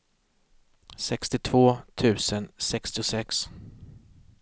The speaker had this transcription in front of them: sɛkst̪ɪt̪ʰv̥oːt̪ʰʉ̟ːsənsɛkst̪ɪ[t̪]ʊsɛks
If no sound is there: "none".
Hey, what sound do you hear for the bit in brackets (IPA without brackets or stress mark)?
none